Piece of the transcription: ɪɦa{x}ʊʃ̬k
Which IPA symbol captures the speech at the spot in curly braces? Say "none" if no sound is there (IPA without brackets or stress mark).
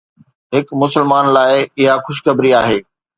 x